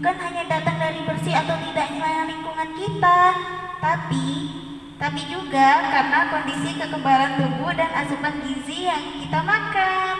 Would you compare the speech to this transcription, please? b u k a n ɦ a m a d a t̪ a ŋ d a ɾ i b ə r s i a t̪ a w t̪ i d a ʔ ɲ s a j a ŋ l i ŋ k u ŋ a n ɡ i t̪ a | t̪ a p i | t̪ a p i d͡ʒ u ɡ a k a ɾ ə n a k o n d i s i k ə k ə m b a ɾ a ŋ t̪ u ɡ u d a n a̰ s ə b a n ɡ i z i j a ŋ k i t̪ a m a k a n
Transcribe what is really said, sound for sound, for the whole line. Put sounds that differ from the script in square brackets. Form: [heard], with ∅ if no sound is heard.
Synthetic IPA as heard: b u k a n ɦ a [ɲ] a d a t̪ a ŋ d a ɾ i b ə r s i a t̪ a w t̪ i d a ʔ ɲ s a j a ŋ l i ŋ k u ŋ a n [k] i t̪ a | t̪ a p i | t̪ a p i d͡ʒ u ɡ a k a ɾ ə n a k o n d i s i k ə k ə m b a ɾ a [n] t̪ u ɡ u d a n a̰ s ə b a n ɡ i z i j a ŋ k i t̪ a m a k a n